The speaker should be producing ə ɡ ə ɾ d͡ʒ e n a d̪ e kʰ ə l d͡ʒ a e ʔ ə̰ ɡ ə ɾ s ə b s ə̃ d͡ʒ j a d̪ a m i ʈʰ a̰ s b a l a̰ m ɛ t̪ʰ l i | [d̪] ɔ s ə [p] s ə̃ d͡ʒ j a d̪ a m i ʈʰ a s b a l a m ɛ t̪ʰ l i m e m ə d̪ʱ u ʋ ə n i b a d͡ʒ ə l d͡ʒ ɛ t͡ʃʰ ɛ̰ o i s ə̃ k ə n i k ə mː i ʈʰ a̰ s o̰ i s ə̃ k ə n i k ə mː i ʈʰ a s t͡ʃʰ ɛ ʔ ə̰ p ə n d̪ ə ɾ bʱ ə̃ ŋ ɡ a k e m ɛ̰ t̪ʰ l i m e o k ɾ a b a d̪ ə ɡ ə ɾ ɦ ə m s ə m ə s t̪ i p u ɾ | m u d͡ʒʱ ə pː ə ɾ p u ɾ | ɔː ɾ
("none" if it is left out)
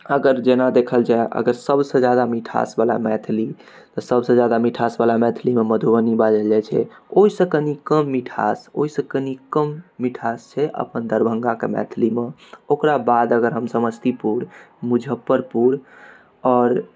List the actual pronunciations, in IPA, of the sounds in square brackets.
t̪, b

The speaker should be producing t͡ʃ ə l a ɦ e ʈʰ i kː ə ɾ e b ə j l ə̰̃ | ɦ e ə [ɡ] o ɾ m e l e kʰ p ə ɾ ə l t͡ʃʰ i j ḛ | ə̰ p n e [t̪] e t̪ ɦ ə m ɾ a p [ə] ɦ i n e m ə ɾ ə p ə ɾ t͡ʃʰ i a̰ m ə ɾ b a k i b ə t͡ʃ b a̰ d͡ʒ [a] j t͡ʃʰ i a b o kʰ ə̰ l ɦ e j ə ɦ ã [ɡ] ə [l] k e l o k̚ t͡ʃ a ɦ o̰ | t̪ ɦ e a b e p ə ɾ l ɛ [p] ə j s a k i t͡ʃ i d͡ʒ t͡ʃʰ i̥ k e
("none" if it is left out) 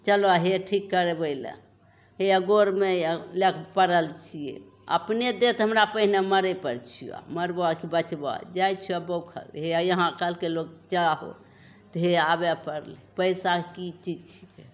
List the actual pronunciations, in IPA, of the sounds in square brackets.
ɡ, d̪, ə, a, k, l, p

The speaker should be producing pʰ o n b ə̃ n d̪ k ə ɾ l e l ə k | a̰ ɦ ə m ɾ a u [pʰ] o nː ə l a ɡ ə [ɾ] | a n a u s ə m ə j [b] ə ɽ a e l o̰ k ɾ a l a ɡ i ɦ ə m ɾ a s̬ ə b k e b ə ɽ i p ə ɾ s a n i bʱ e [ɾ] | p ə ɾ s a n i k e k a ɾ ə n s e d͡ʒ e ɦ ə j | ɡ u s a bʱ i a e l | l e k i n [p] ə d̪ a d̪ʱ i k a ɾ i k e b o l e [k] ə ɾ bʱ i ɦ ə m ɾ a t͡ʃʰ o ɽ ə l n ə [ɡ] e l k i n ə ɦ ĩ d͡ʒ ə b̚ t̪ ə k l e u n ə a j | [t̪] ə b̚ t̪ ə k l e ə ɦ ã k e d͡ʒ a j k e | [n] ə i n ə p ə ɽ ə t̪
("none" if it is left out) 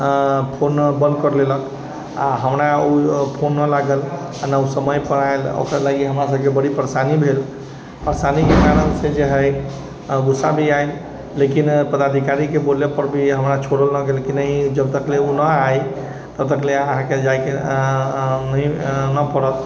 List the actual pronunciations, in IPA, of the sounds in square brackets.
pʰ, l, p, l, p, p, ɡ, t̪, n

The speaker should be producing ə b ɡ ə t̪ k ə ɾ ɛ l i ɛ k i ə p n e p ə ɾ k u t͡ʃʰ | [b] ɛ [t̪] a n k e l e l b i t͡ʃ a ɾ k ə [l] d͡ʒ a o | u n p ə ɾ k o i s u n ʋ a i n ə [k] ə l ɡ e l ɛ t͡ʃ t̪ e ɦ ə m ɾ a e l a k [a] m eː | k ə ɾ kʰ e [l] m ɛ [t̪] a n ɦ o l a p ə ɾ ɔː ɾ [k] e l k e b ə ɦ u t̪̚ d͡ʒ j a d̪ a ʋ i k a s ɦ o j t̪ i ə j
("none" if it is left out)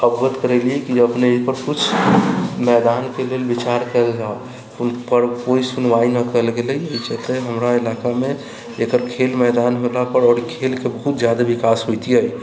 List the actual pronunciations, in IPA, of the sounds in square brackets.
m, d̪, l, k, a, l, d̪, kʰ

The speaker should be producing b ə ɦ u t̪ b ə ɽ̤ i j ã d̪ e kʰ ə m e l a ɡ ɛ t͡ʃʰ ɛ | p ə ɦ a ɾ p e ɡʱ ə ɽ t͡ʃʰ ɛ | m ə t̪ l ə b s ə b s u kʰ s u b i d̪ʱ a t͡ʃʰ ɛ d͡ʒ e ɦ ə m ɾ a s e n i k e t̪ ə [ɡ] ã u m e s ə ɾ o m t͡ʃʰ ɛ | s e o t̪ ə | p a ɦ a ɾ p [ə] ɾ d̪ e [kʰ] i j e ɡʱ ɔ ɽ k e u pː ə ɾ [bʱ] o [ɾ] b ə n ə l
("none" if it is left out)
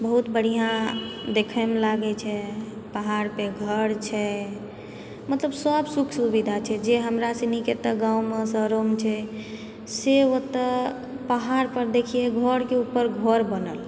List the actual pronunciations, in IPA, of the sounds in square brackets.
ɡ, ə, kʰ, ɡʱ, ɾ

